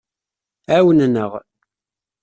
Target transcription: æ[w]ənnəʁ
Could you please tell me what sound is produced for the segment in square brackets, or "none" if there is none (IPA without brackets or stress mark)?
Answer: w